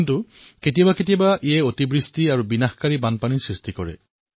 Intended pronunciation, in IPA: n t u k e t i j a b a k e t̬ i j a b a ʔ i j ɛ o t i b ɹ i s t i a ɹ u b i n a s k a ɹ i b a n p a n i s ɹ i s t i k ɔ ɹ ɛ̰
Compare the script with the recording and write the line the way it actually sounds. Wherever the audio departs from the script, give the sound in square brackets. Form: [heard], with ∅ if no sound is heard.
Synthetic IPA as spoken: n t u k e t i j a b a k e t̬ i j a b a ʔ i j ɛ o t i b ɹ i s t i a ɹ u b i n a [x] k a ɹ i b a n p a n i s ɹ i s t i k ɔ ɹ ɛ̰

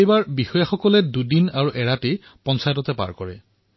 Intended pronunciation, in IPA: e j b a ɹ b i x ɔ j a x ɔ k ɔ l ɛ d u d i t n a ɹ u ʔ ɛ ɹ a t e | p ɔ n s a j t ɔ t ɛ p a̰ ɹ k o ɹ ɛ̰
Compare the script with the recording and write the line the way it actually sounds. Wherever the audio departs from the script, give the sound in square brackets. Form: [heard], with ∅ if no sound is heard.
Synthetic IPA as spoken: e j b a ɹ b i x ɔ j a x ɔ k ɔ l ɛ d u d i [∅] n a ɹ u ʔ ɛ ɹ a t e | p ɔ n s a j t ɔ t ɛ p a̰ ɹ k [ɔ] ɹ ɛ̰

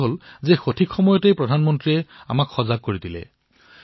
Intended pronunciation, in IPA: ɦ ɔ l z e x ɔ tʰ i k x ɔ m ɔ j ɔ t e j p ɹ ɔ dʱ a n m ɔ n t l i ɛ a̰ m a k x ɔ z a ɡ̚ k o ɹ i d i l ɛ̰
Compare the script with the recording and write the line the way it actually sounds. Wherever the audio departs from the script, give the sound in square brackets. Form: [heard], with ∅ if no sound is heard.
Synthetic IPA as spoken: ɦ [o] l z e x [o] tʰ i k x ɔ m ɔ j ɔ t e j p ɹ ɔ dʱ a n m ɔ n t [ɹ] i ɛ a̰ m a k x ɔ z a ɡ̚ k o ɹ i d i l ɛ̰

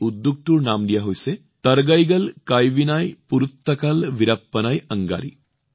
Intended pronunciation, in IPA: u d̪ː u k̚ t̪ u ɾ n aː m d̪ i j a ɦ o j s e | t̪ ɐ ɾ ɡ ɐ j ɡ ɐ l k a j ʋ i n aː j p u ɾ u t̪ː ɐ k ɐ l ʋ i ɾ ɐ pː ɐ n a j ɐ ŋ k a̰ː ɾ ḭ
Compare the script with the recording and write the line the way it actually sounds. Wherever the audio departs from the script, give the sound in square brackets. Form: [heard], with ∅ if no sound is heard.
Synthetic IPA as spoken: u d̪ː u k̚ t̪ u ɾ n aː m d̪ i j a ɦ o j s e | t̪ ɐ ɾ ɡ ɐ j ɡ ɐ l k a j ʋ i n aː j p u ɾ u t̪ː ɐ k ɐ l ʋ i ɾ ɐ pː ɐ n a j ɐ ŋ [ɡ] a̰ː ɾ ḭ

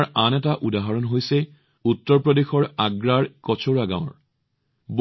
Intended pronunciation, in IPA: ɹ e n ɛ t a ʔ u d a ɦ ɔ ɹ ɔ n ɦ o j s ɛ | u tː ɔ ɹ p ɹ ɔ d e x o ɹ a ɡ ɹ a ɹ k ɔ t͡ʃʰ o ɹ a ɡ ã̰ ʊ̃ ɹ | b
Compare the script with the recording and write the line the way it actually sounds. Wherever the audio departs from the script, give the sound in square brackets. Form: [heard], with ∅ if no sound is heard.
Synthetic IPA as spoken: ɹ [a] n ɛ t a ʔ u d a ɦ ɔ ɹ ɔ n ɦ o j s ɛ | u tː ɔ ɹ p ɹ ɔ d e x [ɔ] ɹ a ɡ ɹ a ɹ k ɔ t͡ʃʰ o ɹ a ɡ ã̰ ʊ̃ ɹ | b

